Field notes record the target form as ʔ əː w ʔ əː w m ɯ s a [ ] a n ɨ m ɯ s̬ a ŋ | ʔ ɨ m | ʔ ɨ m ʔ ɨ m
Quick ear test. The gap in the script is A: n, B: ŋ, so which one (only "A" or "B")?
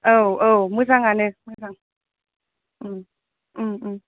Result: B